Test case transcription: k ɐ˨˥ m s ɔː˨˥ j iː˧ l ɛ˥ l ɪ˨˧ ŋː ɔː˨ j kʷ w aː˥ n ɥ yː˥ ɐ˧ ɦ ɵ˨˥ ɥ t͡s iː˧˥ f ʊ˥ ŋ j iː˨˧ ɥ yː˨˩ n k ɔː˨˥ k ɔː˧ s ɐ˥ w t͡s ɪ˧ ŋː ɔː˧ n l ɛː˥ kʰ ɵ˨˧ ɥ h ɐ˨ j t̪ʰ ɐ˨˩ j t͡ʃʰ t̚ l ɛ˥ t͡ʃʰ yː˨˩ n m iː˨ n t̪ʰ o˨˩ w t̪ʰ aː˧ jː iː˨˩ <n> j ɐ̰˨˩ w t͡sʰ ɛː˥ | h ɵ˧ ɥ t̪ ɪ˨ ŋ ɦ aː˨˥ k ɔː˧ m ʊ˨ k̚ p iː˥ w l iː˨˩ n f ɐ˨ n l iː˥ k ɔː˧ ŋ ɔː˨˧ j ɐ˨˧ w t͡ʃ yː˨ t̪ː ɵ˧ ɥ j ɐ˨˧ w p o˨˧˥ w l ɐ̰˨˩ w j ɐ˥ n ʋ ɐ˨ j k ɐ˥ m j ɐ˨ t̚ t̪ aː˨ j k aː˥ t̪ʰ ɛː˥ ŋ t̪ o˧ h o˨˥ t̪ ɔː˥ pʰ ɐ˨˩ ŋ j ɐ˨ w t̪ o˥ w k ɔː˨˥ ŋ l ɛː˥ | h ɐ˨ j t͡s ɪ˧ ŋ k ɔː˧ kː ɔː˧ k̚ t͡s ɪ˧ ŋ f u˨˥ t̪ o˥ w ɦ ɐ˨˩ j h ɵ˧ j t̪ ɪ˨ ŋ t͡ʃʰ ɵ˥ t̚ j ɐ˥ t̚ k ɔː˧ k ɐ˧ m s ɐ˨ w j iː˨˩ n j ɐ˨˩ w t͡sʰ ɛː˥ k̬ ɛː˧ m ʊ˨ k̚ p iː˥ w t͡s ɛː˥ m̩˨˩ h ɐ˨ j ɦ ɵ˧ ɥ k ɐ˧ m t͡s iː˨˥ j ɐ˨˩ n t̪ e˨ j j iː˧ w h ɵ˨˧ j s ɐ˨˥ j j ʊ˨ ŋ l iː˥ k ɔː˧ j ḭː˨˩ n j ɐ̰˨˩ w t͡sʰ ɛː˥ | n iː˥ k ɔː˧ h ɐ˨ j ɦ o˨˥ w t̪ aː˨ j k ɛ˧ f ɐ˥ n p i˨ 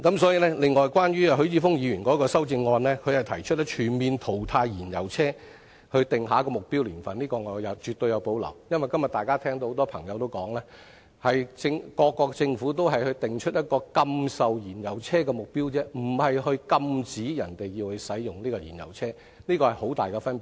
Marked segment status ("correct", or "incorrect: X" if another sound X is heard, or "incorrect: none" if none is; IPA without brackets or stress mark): correct